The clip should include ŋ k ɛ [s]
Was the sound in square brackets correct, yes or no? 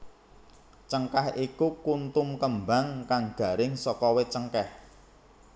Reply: no